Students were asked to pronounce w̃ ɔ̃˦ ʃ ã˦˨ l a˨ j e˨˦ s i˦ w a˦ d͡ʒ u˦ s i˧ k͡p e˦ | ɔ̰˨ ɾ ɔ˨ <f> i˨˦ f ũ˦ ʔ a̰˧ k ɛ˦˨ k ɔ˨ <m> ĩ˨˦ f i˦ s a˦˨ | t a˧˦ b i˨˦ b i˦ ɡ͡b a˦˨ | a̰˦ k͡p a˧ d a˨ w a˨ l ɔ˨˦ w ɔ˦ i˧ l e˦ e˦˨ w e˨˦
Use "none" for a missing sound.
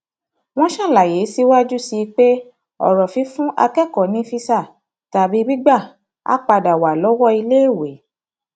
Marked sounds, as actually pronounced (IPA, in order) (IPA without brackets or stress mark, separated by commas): f, n